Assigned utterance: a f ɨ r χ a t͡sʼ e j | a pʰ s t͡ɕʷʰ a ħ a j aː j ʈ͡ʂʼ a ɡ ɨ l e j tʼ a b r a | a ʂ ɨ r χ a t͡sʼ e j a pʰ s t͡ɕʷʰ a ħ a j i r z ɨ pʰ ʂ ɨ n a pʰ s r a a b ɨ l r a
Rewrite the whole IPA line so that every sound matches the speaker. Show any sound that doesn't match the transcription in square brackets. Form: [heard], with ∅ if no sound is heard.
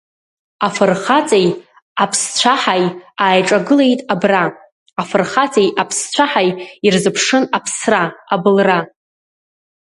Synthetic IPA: a f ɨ r χ a t͡sʼ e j | a pʰ s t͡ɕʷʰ a ħ a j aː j ʈ͡ʂʼ a ɡ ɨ l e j tʼ a b r a | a [f] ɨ r χ a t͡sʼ e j a pʰ s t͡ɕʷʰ a ħ a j i r z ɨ pʰ ʂ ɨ n a pʰ s r a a b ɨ l r a